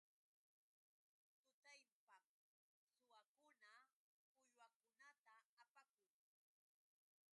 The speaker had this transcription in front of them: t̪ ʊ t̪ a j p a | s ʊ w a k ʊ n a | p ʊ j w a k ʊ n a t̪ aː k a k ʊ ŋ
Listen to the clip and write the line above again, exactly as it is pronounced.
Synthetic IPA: t̪ ʊ t̪ a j p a | s ʊ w a k ʊ n a | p ʊ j w a k ʊ n a t̪ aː p a k ʊ ŋ